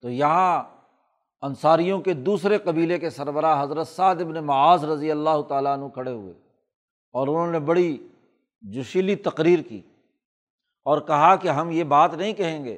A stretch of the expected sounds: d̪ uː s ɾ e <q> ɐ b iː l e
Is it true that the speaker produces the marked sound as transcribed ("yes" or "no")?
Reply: yes